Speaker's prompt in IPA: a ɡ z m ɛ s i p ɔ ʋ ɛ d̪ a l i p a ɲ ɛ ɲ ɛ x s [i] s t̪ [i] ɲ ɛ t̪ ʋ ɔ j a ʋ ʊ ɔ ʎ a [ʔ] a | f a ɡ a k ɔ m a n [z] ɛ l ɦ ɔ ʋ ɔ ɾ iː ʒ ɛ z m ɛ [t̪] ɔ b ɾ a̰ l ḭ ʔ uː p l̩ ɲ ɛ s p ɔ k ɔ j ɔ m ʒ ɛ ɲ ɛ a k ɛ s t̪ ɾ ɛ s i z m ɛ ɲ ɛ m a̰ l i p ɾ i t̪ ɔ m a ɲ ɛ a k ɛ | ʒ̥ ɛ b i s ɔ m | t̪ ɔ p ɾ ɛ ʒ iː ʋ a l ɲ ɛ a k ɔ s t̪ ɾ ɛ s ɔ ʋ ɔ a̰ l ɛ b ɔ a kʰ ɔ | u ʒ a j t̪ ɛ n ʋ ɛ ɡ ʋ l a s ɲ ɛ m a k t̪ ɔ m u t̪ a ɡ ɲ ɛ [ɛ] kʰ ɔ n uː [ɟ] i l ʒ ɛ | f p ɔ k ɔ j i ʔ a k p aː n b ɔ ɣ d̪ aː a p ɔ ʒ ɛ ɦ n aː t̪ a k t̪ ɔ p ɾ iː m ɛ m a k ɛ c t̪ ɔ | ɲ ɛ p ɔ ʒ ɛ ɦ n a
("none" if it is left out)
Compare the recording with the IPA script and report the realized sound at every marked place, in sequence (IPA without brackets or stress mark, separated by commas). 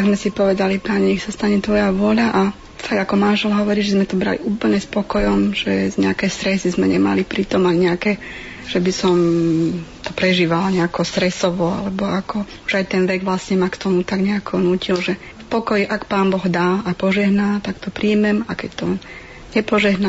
a, a, ʔ, ʒ, t̪, a, c